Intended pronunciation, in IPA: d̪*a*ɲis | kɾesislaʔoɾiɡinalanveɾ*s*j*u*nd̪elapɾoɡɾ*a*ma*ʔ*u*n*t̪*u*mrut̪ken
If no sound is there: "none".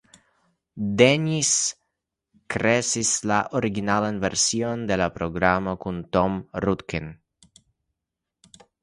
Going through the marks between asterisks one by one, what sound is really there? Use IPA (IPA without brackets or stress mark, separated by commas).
e, s, o, a, k, n, o